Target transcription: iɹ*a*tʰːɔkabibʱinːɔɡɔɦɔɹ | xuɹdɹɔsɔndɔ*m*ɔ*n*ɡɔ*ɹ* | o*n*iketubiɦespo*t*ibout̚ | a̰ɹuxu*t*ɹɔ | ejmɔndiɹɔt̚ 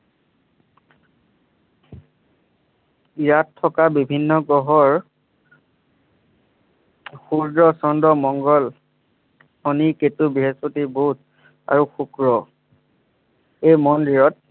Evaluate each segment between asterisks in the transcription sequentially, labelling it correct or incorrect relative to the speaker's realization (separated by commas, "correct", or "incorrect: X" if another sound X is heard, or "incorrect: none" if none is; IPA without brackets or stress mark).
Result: correct, correct, incorrect: ŋ, incorrect: l, correct, correct, incorrect: k